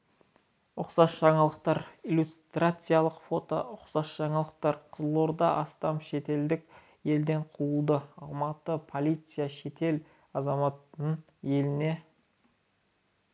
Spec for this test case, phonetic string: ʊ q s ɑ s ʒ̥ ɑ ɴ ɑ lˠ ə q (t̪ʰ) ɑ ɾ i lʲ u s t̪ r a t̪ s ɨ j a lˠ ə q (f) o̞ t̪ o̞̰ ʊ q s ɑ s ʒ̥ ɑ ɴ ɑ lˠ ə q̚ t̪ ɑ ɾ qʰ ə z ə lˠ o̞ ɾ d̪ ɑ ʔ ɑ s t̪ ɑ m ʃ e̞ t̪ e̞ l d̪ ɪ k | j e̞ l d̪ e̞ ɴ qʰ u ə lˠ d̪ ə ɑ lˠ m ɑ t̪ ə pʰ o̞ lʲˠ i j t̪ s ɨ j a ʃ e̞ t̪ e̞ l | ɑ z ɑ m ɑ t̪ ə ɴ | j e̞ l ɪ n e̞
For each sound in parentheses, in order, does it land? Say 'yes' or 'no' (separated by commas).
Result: no, yes